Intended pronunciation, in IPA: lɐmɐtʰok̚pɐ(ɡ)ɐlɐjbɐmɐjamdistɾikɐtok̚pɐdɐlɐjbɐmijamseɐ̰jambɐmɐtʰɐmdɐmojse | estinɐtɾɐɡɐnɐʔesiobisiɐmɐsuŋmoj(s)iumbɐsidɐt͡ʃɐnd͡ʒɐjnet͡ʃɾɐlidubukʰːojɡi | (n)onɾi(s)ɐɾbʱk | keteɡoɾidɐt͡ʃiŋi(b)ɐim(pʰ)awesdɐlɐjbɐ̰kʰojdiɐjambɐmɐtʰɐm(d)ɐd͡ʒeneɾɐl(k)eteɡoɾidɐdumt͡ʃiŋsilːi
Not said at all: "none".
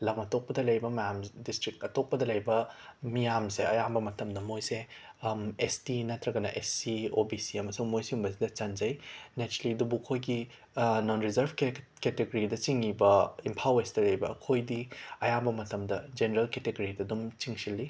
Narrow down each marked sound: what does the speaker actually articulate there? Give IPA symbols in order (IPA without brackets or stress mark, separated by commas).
d, s, n, z, b, pʰ, d, k